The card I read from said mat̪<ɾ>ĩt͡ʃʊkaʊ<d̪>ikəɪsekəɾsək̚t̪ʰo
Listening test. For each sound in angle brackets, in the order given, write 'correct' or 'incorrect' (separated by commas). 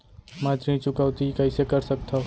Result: correct, incorrect